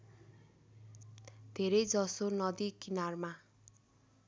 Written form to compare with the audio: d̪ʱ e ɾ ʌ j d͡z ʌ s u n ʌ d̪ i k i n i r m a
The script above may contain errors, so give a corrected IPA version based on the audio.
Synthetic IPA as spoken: d̪ʱ e ɾ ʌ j d͡z ʌ s o n ʌ d̪ i k i n a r m a